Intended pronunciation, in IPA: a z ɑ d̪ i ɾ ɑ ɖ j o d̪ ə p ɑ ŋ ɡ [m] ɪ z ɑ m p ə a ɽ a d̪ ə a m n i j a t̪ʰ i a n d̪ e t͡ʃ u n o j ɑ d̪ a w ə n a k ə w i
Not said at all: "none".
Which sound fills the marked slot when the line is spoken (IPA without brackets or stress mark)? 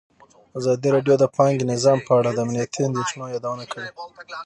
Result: n